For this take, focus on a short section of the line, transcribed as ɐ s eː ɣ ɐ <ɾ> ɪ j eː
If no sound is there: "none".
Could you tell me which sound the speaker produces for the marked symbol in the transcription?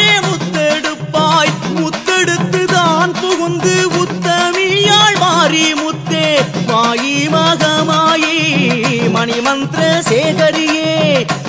ɾ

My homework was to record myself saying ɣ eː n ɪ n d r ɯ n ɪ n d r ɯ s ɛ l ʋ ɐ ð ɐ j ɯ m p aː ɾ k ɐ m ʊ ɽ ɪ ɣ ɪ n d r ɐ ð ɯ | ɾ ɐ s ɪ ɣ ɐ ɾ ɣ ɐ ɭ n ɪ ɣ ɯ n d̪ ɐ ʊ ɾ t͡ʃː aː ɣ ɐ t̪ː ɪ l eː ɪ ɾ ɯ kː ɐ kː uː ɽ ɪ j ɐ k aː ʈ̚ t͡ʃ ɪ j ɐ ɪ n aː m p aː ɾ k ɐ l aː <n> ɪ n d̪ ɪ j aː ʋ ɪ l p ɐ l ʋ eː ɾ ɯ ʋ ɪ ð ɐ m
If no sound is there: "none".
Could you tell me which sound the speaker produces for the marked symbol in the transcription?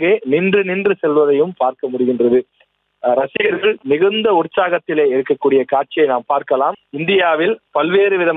m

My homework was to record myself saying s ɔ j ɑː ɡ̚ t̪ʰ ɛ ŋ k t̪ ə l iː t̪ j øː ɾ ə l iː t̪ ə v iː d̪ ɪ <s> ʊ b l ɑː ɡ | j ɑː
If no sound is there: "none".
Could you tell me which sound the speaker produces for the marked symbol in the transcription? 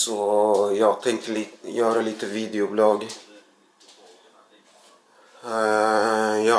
none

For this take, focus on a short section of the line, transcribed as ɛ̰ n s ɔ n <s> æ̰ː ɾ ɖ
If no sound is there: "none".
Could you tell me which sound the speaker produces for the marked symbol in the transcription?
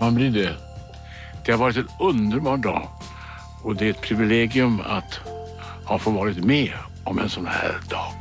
h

